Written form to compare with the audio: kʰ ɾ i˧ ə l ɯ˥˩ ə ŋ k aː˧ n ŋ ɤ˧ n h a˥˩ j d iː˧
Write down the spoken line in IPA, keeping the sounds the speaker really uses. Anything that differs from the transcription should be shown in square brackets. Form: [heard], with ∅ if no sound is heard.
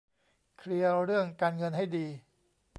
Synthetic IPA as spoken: kʰ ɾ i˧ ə [ɾ] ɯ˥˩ ə ŋ k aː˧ n ŋ ɤ˧ n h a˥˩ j d iː˧